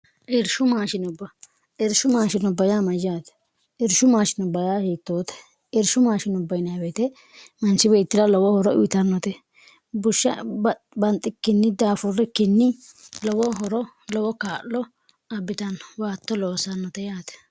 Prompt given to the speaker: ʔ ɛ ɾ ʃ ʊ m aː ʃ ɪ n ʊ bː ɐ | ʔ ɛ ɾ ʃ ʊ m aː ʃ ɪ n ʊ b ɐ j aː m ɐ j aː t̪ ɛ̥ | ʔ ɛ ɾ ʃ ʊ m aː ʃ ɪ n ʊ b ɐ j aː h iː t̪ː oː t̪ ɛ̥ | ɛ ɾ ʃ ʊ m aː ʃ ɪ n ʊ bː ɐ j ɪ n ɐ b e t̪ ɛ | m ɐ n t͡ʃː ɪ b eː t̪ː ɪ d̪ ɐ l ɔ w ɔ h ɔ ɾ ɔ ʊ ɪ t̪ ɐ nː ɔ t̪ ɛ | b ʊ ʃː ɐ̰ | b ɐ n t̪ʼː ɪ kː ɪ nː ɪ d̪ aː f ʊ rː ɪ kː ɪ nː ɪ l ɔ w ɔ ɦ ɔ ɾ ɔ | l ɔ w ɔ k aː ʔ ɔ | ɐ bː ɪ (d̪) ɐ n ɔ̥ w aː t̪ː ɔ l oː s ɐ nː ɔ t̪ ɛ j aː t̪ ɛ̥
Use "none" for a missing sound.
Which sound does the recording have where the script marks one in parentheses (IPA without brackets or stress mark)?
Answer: t̪